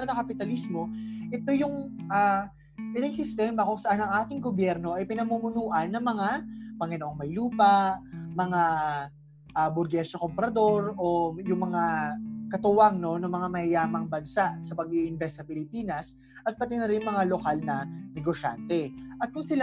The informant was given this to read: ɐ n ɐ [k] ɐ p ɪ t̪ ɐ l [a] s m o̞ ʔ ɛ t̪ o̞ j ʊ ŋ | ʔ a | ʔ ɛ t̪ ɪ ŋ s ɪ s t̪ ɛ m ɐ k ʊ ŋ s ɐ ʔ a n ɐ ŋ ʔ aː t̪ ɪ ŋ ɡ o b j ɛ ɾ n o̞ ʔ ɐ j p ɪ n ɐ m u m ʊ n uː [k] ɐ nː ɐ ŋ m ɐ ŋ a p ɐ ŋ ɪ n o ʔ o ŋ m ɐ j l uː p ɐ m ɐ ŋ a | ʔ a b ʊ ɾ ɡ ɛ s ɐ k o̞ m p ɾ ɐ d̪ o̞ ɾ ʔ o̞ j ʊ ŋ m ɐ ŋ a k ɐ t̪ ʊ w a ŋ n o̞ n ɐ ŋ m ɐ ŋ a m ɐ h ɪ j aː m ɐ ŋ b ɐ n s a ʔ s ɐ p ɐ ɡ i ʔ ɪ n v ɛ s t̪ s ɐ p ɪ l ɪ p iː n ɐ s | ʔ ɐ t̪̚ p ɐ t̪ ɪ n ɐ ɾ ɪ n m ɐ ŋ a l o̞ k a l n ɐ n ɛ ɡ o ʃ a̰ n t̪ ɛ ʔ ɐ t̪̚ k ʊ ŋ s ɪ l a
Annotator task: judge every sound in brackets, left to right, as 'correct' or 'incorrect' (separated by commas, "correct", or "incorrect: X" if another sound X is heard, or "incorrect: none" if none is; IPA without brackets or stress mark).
correct, incorrect: i, incorrect: ʔ